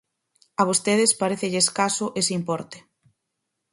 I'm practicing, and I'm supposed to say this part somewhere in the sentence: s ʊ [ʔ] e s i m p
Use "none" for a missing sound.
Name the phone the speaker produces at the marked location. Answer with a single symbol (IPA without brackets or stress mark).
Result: ʔ